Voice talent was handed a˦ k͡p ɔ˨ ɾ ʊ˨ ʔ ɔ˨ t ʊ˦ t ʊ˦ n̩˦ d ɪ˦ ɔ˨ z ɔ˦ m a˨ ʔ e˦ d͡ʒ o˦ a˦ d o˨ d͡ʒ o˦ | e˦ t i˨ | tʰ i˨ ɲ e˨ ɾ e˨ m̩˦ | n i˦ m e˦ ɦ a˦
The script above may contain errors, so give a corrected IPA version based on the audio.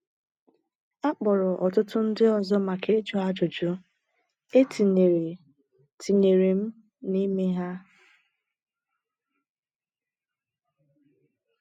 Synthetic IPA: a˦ k͡p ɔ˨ ɾ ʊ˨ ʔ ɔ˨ t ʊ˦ t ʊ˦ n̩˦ d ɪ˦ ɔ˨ z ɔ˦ m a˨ k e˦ d͡ʒ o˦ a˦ d͡ʒ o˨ d͡ʒ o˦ | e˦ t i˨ | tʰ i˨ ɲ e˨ ɾ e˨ m̩˦ | n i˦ m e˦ ɦ a˦